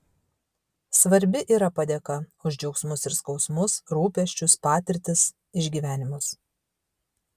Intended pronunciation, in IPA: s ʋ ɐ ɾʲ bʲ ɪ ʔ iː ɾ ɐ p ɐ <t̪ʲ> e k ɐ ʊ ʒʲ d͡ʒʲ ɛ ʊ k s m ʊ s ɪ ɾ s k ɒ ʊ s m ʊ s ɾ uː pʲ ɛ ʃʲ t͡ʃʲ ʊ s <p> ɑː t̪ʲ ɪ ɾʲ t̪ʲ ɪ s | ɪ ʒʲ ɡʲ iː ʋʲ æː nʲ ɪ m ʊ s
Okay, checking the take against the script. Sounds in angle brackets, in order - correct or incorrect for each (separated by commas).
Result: incorrect, correct